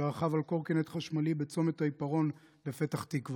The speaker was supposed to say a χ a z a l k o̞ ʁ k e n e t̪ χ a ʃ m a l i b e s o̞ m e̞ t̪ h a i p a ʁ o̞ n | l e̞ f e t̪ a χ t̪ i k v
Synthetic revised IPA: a χ a v a l k o̞ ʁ k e n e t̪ χ a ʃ m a l i b e t͡s o̞ m e̞ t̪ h a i p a ʁ o̞ n | l e̞ f e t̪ a χ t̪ i k v